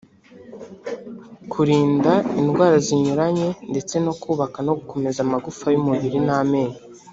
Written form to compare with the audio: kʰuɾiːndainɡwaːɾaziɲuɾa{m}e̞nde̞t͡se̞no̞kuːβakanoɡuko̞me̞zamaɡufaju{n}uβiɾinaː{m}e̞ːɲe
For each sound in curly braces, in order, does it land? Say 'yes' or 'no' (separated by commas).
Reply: no, no, yes